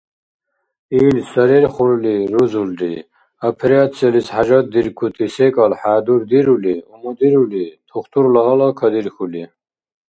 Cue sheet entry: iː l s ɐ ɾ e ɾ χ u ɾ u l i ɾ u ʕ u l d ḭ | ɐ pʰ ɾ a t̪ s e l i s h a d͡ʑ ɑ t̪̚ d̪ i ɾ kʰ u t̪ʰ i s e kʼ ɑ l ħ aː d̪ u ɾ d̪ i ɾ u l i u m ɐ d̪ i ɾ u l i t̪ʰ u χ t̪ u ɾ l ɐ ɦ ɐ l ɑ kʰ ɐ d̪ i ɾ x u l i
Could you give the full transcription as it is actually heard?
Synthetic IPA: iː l s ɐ ɾ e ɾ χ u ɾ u l i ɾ u z u l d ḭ | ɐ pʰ ɾ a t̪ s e l i s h a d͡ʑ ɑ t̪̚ d̪ i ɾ kʰ u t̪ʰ i s e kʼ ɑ l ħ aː d̪ u ɾ d̪ i ɾ u l i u m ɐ d̪ i ɾ u l i t̪ʰ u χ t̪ u ɾ l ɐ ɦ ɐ l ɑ kʰ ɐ d̪ i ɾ x u l i